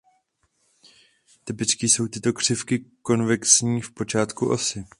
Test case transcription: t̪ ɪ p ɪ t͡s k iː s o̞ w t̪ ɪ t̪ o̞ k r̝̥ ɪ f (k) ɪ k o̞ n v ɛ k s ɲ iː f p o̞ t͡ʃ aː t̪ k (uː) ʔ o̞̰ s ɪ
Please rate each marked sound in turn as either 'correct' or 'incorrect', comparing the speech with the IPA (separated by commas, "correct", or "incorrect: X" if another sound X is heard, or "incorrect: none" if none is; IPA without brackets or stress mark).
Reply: correct, incorrect: u